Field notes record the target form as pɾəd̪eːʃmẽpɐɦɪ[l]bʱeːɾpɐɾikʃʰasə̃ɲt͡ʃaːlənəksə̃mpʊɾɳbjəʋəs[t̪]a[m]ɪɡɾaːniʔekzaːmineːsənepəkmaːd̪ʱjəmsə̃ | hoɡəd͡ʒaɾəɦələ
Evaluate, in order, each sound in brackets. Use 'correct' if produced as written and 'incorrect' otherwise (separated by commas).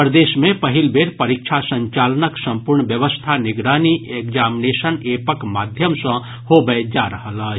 correct, incorrect, incorrect